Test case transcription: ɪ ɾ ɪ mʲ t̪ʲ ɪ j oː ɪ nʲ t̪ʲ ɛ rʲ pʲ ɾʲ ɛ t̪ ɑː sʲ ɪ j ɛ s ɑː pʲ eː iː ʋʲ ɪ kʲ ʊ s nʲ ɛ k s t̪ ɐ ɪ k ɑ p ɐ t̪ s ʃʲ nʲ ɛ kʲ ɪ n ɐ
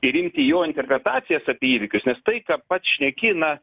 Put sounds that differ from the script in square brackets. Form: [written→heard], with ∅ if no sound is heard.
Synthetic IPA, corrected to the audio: ɪ ɾ ɪ mʲ t̪ʲ ɪ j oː ɪ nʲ t̪ʲ ɛ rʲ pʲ ɾʲ ɛ t̪ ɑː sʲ ɪ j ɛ s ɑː pʲ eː iː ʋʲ ɪ kʲ ʊ s nʲ ɛ [k→∅] s t̪ ɐ ɪ k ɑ p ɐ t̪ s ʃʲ nʲ ɛ kʲ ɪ n ɐ